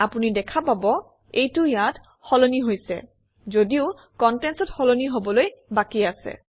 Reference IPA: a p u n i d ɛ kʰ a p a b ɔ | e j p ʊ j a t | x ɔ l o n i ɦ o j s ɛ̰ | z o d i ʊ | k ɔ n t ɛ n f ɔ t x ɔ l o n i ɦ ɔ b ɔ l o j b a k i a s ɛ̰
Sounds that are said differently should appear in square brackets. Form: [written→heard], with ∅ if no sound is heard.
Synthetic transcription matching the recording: a p u n i d ɛ kʰ a p a b ɔ | e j [p→t] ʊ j a t | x ɔ l o n i ɦ o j s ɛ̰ | z o d i ʊ | k ɔ n t ɛ n [f→s] ɔ t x ɔ l o n i ɦ [ɔ→o] b ɔ l o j b a k i a s ɛ̰